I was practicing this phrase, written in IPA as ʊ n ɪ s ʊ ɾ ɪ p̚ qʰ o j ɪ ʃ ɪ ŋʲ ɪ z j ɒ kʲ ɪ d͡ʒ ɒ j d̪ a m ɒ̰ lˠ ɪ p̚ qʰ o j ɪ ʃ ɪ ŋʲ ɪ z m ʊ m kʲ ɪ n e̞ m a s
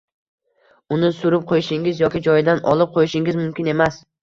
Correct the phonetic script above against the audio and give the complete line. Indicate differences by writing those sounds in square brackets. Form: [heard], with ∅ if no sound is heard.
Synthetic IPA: ʊ n ɪ s ʊ ɾ ɪ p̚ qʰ o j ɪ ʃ ɪ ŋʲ ɪ z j ɒ kʲ ɪ d͡ʒ ɒ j d̪ a [n] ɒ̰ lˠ ɪ p̚ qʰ o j ɪ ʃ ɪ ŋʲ ɪ z m ʊ m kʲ ɪ n e̞ m a s